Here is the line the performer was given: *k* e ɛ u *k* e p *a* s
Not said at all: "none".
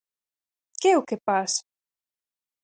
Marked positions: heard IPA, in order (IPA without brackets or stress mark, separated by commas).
k, k, a